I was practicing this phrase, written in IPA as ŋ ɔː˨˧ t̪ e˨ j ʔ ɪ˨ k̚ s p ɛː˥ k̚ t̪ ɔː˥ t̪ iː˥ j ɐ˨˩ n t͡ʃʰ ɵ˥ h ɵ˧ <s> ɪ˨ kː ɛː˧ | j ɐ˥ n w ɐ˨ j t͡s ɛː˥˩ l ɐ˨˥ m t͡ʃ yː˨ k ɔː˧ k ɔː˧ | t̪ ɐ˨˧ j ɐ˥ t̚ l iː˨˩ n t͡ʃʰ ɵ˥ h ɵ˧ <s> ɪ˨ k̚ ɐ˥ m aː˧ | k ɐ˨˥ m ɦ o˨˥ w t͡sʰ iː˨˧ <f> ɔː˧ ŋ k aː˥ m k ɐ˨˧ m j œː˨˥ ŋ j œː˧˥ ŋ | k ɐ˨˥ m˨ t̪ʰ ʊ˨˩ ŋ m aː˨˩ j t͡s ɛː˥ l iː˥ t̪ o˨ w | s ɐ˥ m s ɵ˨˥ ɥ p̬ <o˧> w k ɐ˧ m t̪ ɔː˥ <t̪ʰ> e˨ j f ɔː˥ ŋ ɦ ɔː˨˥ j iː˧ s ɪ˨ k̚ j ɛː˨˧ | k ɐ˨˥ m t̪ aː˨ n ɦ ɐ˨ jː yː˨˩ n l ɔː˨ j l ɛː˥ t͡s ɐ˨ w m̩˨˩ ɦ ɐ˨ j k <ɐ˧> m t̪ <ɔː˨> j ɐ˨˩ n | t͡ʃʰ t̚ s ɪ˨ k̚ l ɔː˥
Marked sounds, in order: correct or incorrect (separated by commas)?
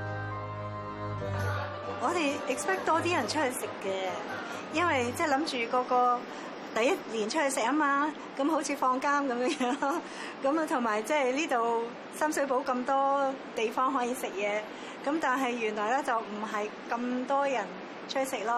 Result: correct, correct, correct, incorrect, incorrect, correct, incorrect